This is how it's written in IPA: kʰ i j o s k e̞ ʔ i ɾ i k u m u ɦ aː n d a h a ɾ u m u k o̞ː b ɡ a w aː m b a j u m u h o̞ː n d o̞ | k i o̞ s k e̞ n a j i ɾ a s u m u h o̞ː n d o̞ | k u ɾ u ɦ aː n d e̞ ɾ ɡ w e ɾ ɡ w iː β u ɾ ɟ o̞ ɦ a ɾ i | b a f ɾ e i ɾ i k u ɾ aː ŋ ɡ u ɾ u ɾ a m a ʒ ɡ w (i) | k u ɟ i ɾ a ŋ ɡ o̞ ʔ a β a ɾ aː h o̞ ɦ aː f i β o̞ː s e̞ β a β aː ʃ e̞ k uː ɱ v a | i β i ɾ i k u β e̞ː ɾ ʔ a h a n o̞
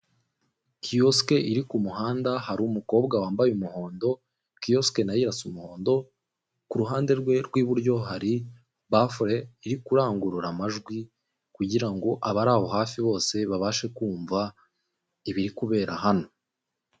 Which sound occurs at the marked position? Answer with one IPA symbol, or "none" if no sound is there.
i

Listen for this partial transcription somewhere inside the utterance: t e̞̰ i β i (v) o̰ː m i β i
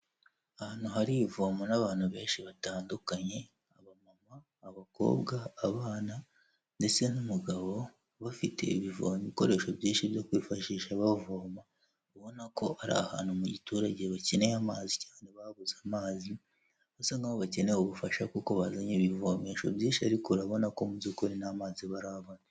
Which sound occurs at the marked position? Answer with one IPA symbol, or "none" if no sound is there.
v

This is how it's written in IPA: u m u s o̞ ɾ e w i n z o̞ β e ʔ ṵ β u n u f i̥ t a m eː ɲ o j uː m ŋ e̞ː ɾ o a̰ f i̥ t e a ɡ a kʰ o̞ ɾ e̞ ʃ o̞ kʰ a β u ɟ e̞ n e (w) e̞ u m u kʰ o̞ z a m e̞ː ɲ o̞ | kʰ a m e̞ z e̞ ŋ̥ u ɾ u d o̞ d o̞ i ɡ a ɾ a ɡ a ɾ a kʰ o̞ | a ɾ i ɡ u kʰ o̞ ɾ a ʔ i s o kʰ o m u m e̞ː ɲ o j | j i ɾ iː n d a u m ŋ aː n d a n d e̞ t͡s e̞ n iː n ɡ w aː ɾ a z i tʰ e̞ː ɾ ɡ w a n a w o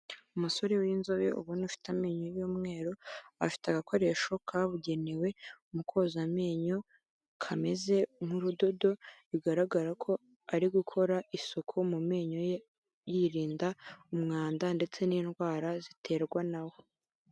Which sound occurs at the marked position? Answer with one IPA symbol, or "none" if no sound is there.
w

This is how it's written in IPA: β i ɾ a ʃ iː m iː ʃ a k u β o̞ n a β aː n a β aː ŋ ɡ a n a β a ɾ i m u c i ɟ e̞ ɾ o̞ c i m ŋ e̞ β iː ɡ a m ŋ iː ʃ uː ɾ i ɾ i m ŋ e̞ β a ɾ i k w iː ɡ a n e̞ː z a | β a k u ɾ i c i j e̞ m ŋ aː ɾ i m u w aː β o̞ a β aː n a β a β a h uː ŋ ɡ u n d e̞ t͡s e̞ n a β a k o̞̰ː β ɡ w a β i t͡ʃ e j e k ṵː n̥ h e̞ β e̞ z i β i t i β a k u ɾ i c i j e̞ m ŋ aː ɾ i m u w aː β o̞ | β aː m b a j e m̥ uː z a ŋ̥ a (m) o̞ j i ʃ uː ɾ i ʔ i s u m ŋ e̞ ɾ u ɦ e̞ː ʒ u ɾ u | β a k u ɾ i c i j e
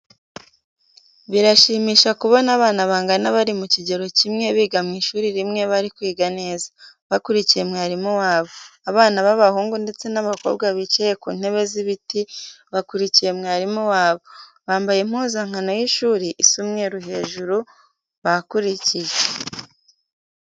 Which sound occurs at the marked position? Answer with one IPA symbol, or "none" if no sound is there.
n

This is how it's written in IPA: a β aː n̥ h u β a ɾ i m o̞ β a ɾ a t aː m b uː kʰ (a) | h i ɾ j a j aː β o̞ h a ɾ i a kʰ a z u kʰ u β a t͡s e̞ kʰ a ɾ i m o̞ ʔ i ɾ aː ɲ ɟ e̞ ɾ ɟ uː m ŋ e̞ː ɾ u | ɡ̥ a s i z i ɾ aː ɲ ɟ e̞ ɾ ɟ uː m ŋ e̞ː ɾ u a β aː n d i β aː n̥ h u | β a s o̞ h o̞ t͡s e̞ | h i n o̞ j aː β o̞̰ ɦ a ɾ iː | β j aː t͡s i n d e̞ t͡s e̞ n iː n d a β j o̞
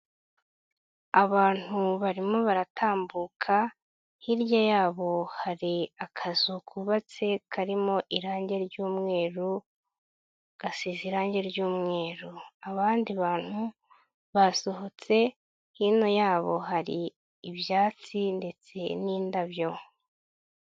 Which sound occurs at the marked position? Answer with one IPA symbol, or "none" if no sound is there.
a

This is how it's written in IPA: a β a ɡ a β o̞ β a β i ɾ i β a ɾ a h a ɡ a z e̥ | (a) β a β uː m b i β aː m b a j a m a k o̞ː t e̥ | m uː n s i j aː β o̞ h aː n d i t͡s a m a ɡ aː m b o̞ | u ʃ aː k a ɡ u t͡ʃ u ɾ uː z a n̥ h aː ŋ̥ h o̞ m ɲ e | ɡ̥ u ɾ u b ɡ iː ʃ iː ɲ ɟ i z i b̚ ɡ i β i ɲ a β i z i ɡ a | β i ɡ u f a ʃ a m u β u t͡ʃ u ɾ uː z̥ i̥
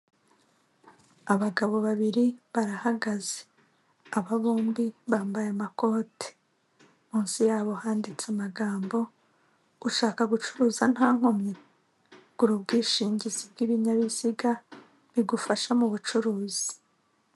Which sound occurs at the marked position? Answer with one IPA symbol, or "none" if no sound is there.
a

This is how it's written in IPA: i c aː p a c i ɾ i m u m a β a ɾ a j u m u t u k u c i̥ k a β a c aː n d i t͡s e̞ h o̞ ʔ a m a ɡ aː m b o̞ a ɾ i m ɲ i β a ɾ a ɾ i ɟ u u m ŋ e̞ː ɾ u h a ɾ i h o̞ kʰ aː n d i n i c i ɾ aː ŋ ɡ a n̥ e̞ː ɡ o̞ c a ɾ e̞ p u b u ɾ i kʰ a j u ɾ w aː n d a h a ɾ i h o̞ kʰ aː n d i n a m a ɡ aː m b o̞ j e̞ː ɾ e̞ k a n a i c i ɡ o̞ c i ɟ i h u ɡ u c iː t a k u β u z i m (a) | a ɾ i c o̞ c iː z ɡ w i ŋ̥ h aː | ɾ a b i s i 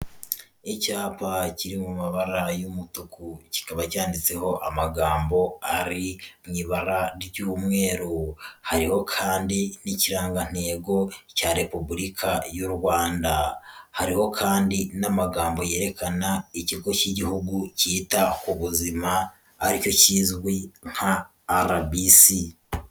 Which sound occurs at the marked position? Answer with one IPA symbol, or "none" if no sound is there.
a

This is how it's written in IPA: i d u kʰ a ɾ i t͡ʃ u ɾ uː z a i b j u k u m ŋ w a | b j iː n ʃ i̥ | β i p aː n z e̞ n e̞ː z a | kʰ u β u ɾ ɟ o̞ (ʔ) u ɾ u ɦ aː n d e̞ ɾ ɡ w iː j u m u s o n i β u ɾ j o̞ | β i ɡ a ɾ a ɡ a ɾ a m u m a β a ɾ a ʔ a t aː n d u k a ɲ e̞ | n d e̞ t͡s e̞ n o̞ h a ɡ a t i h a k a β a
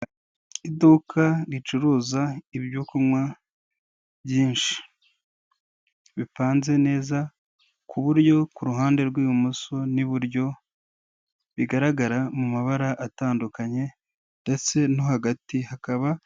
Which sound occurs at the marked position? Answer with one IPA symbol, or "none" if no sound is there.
k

